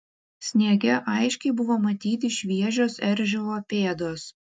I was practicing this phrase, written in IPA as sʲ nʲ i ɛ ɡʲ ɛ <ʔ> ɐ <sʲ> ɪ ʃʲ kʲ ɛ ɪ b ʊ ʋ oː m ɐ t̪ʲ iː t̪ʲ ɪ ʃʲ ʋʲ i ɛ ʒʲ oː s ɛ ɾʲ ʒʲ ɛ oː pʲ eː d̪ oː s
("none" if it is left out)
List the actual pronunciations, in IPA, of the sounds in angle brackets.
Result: ʔ, none

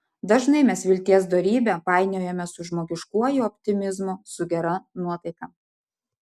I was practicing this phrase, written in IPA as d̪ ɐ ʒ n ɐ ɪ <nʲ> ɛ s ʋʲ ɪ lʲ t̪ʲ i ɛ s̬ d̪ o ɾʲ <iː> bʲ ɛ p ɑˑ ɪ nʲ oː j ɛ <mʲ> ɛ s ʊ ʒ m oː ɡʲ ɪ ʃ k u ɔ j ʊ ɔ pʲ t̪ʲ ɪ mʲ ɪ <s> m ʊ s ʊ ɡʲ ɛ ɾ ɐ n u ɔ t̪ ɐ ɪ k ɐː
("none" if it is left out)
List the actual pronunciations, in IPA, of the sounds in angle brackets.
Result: mʲ, iː, mʲ, z

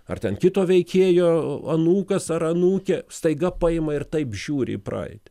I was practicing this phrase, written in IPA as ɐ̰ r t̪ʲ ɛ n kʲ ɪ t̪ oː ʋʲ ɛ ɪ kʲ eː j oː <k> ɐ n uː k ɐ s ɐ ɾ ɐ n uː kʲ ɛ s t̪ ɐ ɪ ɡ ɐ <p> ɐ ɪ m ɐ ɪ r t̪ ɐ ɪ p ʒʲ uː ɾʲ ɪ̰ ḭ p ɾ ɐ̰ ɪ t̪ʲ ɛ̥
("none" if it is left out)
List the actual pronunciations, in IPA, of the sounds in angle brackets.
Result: none, p

